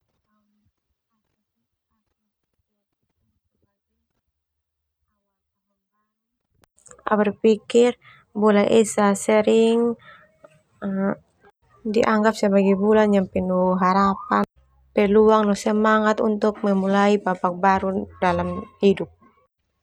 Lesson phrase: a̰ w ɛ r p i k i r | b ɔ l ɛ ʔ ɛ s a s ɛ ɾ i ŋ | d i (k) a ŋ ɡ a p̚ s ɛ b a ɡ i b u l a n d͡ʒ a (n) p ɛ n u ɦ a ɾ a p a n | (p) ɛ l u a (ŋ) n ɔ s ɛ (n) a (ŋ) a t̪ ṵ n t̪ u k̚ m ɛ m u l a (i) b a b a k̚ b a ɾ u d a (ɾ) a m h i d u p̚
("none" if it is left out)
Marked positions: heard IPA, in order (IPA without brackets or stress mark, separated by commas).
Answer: ʔ, m, p, ŋ, m, ŋ, i, l